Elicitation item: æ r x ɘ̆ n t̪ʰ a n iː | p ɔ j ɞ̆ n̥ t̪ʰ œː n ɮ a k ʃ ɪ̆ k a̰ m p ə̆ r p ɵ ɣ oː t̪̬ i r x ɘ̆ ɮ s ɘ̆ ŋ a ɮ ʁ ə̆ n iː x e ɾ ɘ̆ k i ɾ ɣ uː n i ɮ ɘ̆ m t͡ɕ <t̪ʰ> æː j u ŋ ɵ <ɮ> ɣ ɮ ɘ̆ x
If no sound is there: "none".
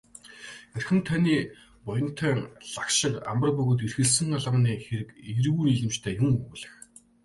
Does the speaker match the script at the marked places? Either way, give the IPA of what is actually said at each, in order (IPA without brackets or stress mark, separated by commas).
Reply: t̪ʰ, none